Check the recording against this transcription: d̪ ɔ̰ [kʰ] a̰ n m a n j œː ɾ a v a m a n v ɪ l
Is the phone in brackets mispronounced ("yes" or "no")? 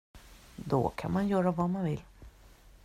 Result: no